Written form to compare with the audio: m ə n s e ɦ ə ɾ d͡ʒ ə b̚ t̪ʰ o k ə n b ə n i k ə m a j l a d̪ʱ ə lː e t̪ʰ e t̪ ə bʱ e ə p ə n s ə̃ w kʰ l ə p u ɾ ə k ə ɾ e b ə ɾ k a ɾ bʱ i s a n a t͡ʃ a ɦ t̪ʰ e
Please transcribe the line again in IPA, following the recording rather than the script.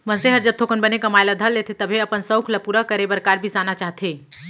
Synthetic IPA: m ə n s e ɦ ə ɾ d͡ʒ ə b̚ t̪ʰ o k ə n b ə n e k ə m a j l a d̪ʱ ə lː e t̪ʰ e t̪ ə bʱ e ə p ə n s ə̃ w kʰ l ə p u ɾ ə k ə ɾ e b ə ɾ k a ɾ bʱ i s a n a t͡ʃ a ɦ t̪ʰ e

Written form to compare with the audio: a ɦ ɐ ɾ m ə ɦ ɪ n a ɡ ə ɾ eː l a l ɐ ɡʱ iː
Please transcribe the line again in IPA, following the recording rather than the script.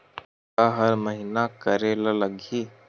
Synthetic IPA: a ɦ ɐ ɾ m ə ɦ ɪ n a k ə ɾ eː l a l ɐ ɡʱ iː

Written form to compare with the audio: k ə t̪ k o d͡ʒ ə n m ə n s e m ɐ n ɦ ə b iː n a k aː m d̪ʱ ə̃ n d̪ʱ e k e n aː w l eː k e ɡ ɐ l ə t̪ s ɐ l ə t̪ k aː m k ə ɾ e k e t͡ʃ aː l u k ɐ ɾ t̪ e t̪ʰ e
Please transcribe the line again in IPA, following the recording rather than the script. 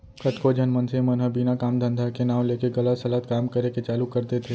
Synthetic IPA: k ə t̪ k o d͡ʒ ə n m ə n s e m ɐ n ɦ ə b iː n a k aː m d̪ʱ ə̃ n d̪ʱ a k e n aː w l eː k e ɡ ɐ l ə t̪ s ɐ l ə t̪ k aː m k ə ɾ e k e t͡ʃ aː l u k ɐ ɾ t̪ e t̪ʰ e

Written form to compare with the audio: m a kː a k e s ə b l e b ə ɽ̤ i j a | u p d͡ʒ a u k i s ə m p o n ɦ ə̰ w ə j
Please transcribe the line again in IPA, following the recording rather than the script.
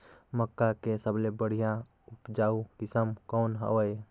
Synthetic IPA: m ə kː a k e s ə b l e b ə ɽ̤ i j a | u p d͡ʒ a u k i s ə m k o n ɦ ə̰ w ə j

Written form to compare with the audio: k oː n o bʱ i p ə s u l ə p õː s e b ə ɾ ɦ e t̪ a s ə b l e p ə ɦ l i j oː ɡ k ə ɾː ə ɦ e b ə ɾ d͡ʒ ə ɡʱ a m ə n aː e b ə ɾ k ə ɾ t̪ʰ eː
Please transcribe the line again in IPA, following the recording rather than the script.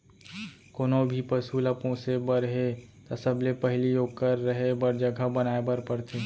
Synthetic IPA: k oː n o bʱ i p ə s u l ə p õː s e b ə ɾ ɦ e t̪ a s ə b l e p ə ɦ l i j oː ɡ k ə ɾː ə ɦ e b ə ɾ d͡ʒ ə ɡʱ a b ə n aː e b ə ɾ p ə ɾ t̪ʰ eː

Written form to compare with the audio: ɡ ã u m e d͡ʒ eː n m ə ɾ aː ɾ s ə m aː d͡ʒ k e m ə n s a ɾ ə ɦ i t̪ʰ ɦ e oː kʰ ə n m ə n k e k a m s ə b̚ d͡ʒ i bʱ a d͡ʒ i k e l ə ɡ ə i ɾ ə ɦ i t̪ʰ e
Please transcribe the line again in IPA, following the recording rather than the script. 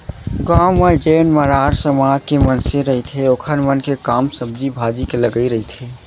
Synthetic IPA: ɡ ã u m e d͡ʒ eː n m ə ɾ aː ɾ s ə m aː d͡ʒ k e m ə n s e ɾ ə ɦ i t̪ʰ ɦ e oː kʰ ə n m ə n k e k a m s ə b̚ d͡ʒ i bʱ a d͡ʒ i k e l ə ɡ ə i ɾ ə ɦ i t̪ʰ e

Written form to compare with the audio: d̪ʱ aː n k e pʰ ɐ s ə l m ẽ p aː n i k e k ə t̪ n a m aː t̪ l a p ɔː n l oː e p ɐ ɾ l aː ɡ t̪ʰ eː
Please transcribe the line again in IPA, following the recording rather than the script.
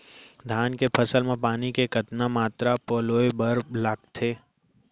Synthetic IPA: d̪ʱ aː n k e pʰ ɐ s ə l m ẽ p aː n i k e k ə t̪ n a m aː t̪ ɾ a p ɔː l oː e b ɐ ɾ l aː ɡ t̪ʰ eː

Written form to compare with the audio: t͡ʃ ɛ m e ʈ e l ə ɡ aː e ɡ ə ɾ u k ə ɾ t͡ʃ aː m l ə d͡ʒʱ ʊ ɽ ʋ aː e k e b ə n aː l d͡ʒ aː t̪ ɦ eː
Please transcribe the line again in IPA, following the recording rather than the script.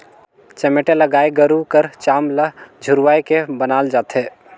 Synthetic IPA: t͡ʃ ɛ m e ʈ e l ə ɡ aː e ɡ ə ɾ u k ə ɾ t͡ʃ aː m l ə d͡ʒʱ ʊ ɾ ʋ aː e k e b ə n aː l d͡ʒ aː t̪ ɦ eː

